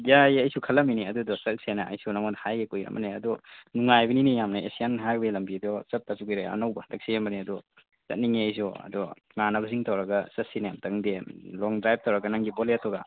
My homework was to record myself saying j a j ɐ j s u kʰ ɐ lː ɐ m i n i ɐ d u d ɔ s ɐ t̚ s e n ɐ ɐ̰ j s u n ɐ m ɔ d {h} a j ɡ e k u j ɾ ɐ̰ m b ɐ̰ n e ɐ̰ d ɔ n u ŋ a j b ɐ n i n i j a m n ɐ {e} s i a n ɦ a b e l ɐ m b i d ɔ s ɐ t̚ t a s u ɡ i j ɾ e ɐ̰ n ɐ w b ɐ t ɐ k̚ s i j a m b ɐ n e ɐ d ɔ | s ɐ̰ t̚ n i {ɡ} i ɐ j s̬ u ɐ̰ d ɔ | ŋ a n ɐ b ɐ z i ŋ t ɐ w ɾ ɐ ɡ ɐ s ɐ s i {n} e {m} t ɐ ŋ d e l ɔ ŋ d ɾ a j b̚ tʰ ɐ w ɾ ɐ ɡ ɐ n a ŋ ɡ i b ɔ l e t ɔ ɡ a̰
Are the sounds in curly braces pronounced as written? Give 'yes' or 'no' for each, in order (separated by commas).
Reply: yes, yes, no, yes, yes